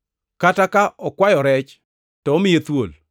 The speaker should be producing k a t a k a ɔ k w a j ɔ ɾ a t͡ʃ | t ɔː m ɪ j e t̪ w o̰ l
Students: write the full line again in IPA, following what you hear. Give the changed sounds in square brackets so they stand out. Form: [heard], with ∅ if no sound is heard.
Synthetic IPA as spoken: k a t a k a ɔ k w a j ɔ ɾ [ɛ] t͡ʃ | t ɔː m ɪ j e t̪ w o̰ l